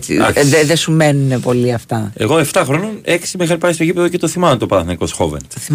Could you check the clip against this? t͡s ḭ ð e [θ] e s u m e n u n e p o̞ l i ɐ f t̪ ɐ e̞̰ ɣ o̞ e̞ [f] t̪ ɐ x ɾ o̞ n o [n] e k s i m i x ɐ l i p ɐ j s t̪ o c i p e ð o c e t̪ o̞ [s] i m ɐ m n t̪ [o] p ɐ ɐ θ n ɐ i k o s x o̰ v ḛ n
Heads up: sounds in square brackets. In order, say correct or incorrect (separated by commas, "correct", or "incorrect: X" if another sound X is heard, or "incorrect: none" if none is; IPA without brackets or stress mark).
incorrect: ð, correct, correct, incorrect: θ, correct